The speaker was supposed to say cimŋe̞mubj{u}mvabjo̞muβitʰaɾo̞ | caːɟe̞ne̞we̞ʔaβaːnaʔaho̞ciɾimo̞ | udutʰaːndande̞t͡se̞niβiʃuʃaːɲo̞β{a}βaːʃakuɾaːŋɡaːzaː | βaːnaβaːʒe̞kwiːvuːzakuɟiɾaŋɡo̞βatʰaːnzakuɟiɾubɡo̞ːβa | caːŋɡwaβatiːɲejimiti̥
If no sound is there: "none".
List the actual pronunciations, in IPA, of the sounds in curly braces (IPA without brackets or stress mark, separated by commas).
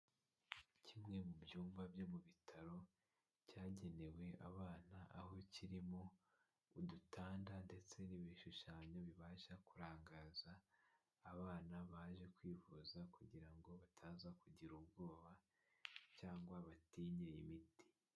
uː, i